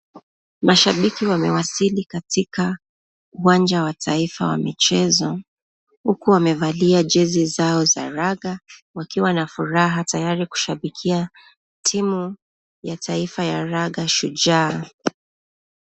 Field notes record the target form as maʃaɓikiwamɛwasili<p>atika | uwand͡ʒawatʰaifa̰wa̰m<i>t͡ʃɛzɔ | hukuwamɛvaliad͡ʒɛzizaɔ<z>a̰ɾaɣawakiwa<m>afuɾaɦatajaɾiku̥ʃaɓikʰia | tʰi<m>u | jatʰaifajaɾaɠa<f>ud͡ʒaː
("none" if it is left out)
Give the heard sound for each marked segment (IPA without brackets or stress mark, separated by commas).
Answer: k, i, z, n, m, ʃ